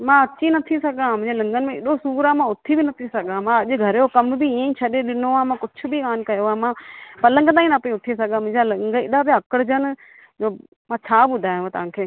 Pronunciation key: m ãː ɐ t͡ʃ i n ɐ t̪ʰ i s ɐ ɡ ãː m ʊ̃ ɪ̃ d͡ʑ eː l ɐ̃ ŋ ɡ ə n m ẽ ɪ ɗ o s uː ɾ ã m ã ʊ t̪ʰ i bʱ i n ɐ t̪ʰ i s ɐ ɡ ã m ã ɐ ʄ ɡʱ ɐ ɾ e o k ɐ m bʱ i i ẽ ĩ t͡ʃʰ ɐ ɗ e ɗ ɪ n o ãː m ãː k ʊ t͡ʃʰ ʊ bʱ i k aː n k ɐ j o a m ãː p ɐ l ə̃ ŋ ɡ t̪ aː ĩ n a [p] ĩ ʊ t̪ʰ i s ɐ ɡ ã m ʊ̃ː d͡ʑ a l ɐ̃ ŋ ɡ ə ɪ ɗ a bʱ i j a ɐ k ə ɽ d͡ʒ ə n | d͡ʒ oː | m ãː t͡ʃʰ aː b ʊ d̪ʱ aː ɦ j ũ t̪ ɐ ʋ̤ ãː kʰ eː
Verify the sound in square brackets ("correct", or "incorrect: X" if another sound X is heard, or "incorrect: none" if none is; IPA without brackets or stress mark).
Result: correct